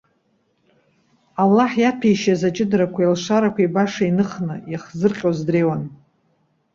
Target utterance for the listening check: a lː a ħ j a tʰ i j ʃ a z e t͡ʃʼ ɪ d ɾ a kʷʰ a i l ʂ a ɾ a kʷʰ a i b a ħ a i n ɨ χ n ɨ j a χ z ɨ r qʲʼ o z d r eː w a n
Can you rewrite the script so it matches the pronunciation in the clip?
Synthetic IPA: a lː a ħ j a pʰ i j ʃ a z a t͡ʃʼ ɪ d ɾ a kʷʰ a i l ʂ a ɾ a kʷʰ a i b a ʂ a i n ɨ χ n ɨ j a χ z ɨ r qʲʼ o z d r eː w a n